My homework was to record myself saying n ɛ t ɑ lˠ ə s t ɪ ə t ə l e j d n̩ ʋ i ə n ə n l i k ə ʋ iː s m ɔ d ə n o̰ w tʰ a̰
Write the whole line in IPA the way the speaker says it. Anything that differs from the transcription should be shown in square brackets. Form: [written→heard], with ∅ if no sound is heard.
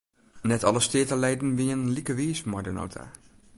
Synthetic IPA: n ɛ t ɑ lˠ ə s t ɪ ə t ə l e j d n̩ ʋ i ə n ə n l i k ə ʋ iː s m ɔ d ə n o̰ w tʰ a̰